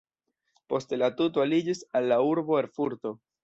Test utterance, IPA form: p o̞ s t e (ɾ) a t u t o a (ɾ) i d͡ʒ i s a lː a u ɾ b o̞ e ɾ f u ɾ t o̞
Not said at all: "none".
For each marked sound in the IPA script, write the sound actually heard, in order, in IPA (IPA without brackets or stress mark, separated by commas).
l, l